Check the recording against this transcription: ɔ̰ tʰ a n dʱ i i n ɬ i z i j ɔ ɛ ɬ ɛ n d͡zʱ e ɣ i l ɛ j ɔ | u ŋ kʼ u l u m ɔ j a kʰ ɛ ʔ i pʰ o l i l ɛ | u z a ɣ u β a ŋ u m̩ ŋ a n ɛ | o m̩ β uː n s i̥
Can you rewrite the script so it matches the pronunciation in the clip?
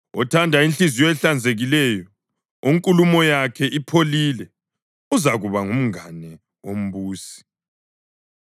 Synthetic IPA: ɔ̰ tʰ a n dʱ a i n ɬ i z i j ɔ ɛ ɬ a n d͡zʱ e ɣ i l ɛ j ɔ | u ŋ kʼ u l u m ɔ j a kʰ ɛ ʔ i pʰ o l i l ɛ | u z a ɣ u β a ŋ u m̩ ŋ a n ɛ | o m̩ β uː s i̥